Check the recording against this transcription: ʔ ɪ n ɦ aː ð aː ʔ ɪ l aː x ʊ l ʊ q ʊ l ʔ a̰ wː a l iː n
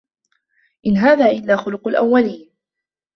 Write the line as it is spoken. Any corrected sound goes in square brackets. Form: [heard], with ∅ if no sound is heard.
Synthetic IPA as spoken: ʔ ɪ n ɦ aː ð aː ʔ ɪ [lː] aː x ʊ l ʊ q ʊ l ʔ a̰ wː a l iː n